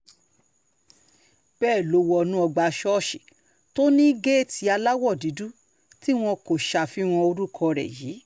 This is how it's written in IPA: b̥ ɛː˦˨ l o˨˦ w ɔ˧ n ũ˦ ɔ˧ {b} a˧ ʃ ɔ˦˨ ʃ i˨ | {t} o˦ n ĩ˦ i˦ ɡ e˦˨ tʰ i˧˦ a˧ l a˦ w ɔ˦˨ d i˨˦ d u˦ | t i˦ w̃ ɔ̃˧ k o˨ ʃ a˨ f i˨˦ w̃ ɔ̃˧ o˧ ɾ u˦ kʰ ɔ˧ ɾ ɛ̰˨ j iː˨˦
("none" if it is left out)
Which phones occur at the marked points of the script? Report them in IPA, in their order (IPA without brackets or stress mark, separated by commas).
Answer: ɡ͡b, t